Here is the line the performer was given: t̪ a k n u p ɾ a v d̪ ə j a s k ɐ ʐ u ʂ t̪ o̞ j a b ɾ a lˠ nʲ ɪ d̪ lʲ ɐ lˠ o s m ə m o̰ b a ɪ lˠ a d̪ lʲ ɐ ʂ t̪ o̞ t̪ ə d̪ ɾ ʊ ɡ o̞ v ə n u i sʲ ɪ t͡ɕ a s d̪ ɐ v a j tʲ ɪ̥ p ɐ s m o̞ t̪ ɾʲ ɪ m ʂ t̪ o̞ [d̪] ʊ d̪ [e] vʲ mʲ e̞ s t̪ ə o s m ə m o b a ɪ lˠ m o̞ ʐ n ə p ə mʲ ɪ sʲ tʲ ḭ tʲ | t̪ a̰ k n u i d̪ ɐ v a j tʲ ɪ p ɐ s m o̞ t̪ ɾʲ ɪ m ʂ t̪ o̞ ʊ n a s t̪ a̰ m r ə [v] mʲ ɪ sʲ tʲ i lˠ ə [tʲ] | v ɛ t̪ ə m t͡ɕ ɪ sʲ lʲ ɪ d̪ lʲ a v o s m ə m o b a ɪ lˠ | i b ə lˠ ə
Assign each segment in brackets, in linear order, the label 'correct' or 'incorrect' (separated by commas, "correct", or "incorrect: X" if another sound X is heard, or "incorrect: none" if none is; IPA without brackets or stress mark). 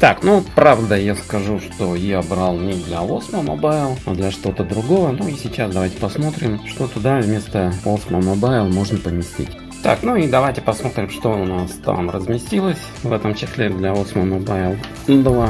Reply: incorrect: t̪, incorrect: a, incorrect: z, incorrect: sʲ